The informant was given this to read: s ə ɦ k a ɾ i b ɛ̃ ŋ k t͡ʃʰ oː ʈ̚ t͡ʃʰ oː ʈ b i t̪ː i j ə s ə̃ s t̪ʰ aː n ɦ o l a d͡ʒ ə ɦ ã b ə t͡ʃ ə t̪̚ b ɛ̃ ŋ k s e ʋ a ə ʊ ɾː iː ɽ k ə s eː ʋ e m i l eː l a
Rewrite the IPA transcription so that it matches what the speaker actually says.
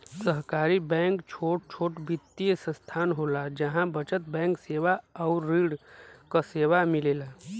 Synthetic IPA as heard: s ə ɦ k a ɾ i b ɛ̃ ŋ k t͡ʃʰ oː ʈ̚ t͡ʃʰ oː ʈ b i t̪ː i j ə s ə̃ s t̪ʰ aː n ɦ o l a d͡ʒ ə ɦ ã b ə t͡ʃ ə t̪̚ b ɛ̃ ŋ k s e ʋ a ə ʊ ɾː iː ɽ k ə s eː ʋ a m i l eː l a

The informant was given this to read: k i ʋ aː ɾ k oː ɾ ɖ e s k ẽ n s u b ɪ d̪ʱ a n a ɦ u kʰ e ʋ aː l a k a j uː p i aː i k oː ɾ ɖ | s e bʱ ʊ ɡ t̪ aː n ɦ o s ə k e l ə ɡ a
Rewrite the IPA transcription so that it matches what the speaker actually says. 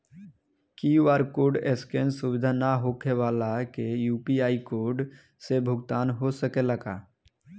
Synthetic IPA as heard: k i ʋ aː ɾ k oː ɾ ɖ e s k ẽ n s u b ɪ d̪ʱ a n a ɦ o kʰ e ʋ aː l a k e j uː p i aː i k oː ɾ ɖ | s e bʱ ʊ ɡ t̪ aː n ɦ o s ə k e l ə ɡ a

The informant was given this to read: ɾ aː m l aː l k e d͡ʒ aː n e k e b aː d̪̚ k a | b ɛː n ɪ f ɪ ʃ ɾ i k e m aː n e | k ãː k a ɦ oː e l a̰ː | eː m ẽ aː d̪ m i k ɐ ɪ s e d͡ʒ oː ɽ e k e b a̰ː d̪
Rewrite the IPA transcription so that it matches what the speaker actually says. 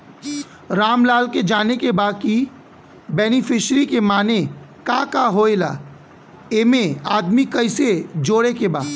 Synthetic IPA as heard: ɾ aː m l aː l k e d͡ʒ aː n e k e b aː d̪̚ k i | b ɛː n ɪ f ɪ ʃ ɾ i k e m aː n e | k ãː k a ɦ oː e l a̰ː | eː m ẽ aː d̪ m i k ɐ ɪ s e d͡ʒ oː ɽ e k e b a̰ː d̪

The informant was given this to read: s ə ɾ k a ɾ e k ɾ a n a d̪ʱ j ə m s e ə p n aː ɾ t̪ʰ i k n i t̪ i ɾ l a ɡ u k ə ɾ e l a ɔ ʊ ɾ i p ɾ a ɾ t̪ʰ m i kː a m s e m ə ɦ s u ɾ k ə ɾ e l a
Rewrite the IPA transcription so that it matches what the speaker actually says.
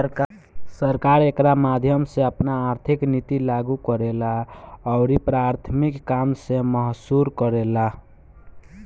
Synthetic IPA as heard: s ə ɾ k a ɾ e k ɾ a m a d̪ʱ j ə m s e ə p n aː ɾ t̪ʰ i k n i t̪ i l a ɡ u k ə ɾ e l a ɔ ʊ ɾ i p ɾ a ɾ t̪ʰ m i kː a m s e m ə ɦ s u ɾ k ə ɾ e l a

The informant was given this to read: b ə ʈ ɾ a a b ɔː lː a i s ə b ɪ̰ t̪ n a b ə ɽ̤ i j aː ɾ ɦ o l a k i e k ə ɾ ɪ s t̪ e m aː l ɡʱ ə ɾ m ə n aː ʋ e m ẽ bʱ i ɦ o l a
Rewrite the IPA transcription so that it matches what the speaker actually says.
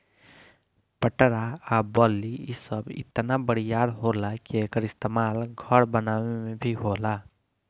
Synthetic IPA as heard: p ə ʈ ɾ a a b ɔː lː i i s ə b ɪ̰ t̪ n a b ə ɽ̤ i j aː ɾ ɦ o l a k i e k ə ɾ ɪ s t̪ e m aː l ɡʱ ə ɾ b ə n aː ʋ e m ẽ bʱ i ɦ o l a

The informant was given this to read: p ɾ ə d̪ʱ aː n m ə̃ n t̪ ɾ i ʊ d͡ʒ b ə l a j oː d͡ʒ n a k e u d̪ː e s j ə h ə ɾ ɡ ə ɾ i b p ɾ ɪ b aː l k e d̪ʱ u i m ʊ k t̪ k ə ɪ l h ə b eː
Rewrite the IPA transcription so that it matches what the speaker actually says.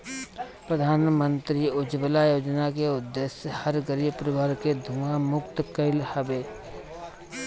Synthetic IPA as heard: p ɾ ə d̪ʱ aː n m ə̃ n t̪ ɾ i ʊ d͡ʒ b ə l a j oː d͡ʒ n a k e ʊ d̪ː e s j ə h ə ɾ ɡ ə ɾ i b p ɾ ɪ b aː ɾ k e d̪ʱ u a m ʊ k t̪ k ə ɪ l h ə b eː

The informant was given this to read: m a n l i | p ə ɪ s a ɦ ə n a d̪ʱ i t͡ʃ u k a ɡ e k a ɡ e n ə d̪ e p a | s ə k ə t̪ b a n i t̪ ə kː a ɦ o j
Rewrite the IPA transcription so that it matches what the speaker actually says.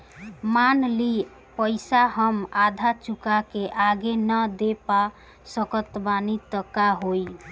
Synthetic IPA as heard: m a n l i | p ə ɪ s a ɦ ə m a d̪ʱ a t͡ʃ u k a k e ʔ a ɡ e n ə d̪ e p a | s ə k ə t̪ b a n i t̪ ə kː a ɦ o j

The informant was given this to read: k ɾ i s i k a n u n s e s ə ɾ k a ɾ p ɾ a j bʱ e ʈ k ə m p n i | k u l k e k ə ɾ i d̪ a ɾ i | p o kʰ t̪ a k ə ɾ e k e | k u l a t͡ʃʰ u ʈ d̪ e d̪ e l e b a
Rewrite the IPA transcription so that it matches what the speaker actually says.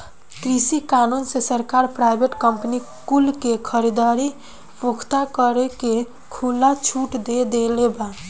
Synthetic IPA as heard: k ɾ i s i k a n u n s e s ə ɾ k a ɾ p ɾ a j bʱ e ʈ k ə m p n i | k u l k e kʰ ə ɾ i d̪ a ɾ i | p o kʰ t̪ a k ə ɾ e k e | kʰ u l a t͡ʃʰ u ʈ d̪ e d̪ e l e b a

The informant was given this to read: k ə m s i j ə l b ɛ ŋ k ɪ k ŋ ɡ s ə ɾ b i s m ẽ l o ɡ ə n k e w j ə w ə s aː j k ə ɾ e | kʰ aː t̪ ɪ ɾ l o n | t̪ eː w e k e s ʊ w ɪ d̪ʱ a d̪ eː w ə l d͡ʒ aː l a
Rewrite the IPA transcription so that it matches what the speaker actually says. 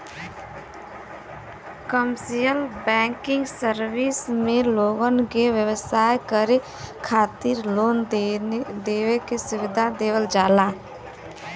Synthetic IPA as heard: k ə m s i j ə l b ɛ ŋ k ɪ ŋ ɡ s ə ɾ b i s m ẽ l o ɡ ə n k e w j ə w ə s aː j k ə ɾ e | kʰ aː t̪ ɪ ɾ l o n | d̪ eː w e k e s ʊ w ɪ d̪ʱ a d̪ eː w ə l d͡ʒ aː l a

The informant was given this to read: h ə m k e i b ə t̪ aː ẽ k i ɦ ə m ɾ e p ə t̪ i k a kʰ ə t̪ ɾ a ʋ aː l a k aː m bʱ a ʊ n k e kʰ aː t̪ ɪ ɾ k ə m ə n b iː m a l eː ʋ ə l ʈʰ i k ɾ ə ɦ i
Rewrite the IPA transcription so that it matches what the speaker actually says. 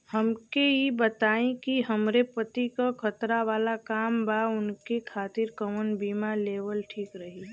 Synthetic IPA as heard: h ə m k e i b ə t̪ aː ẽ k i ɦ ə m ɾ e p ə t̪ i k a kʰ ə t̪ ɾ a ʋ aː l a k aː m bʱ a ʊ n k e kʰ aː t̪ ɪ ɾ k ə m ə n b iː m a l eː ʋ ə l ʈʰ iː k ɾ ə ɦ i

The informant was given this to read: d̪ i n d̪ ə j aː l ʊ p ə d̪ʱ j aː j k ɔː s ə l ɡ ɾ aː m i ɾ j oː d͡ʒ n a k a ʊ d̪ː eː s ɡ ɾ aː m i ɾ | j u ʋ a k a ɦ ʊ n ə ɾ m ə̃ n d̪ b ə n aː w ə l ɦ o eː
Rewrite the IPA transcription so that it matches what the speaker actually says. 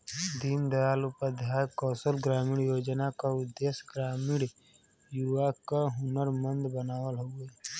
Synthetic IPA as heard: d̪ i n d̪ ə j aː l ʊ p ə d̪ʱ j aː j k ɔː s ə l ɡ ɾ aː m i ɽ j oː d͡ʒ n a k a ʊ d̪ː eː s ɡ ɾ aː m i ɽ | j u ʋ a k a ɦ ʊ n ə ɾ m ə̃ n d̪ b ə n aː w ə l ɦ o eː

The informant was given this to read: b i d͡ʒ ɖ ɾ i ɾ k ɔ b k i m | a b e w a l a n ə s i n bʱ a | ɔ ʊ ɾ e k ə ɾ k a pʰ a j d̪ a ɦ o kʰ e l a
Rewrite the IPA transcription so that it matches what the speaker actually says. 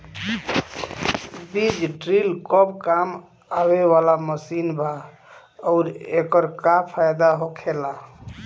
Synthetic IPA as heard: b i d͡ʒ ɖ ɾ i l k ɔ b k a m | a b e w a l a m ə s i n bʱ a | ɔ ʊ ɾ e k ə ɾ k a pʰ a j d̪ a ɦ o kʰ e l a

